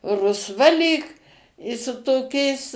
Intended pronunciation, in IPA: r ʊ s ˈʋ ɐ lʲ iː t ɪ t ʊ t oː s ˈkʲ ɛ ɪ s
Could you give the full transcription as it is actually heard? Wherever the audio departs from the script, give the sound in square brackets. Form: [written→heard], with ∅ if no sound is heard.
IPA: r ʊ s ˈʋ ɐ lʲ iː [t→k] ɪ [t→s] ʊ t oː [s→∅] ˈkʲ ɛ ɪ s